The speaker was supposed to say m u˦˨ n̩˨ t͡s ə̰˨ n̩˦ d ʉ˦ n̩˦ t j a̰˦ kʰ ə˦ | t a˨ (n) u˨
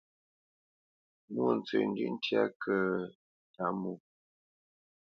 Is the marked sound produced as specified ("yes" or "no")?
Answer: no